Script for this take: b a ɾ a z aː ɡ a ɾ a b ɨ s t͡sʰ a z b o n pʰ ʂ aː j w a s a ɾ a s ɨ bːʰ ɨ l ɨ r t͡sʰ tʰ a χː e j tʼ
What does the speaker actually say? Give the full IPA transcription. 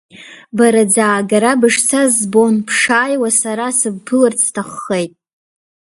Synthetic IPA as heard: b a ɾ a d͡z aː ɡ a ɾ a b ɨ ʂ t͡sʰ a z b o n pʰ ʂ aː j w a s a ɾ a s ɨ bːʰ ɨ l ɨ r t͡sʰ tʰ a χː e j tʼ